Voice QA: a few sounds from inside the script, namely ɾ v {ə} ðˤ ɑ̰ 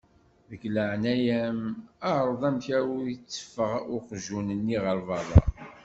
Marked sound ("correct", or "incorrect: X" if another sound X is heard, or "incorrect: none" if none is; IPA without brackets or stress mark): incorrect: ɑ